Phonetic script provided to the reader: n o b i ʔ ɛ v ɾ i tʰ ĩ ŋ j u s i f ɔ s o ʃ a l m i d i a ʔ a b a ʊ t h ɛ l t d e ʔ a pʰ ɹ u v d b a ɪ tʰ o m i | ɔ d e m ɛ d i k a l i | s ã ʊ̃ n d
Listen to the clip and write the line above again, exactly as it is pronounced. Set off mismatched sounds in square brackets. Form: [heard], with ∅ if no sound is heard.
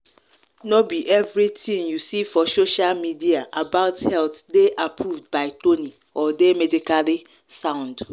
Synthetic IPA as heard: n o b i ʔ ɛ v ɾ i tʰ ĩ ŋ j u s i f ɔ s o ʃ a l m i d i a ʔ a b a ʊ t h ɛ l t d e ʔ a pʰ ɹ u v d b a ɪ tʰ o [n] i | ɔ d e m ɛ d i k a l i | s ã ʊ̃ n d